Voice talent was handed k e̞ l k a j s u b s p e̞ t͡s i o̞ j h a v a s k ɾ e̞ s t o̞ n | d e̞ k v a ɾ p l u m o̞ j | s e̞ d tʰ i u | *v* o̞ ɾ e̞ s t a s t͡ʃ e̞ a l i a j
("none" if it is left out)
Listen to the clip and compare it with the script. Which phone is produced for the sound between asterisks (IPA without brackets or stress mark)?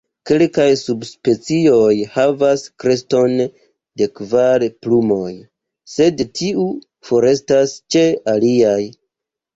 f